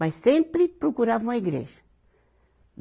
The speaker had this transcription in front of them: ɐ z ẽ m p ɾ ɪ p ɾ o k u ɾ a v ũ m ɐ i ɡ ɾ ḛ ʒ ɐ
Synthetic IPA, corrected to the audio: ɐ s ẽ m p ɾ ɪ p ɾ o k u ɾ a v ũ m ɐ i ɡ ɾ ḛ ʒ ɐ